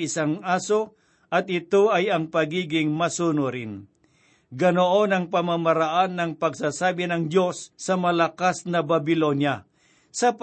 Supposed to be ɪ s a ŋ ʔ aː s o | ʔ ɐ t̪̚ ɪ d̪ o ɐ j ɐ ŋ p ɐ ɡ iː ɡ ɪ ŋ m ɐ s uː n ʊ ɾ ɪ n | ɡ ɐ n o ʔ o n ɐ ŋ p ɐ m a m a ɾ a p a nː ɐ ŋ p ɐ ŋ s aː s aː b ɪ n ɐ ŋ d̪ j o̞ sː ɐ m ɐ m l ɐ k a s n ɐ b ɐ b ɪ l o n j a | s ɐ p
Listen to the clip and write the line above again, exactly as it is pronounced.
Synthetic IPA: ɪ s a ŋ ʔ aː s o | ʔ ɐ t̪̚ ɪ t̪ o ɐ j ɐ ŋ p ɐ ɡ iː ɡ ɪ ŋ m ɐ s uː n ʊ ɾ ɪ n | ɡ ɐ n o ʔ o n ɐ ŋ p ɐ m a m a ɾ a ʔ a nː ɐ ŋ p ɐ ɡ s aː s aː b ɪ n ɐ ŋ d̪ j o̞ sː ɐ m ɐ l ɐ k a s n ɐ b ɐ b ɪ l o n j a | s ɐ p